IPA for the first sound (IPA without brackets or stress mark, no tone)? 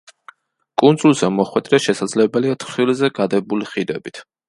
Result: kʼ